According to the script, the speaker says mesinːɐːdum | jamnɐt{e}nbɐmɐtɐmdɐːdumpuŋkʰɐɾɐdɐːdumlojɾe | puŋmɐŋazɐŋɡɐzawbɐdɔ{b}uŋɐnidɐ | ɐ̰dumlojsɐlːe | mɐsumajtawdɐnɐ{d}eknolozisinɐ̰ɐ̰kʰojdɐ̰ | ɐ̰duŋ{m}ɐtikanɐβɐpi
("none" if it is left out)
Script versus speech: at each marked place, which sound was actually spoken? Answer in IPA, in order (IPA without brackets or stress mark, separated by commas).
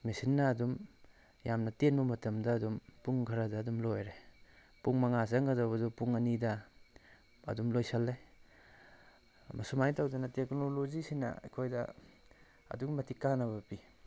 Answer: e, p, t, m